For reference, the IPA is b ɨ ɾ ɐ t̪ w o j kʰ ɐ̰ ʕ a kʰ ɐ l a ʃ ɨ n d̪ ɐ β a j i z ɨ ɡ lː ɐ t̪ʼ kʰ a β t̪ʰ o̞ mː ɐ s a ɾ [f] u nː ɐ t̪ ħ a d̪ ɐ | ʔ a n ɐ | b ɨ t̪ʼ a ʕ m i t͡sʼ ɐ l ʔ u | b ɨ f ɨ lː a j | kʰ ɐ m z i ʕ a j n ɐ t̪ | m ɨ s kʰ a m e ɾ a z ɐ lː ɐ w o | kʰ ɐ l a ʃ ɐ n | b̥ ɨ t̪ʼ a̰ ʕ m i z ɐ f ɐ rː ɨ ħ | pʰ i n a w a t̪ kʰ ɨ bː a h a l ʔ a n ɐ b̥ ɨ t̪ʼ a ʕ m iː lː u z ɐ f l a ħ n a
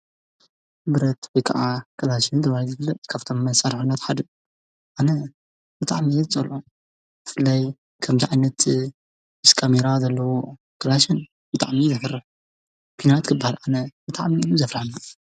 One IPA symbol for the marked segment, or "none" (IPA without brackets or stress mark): ħ